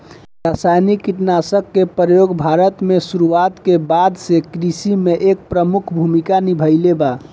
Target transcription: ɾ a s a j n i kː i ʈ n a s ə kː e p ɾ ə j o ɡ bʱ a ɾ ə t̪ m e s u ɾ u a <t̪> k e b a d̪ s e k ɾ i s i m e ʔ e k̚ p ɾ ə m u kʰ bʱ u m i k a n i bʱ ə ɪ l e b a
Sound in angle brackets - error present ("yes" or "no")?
no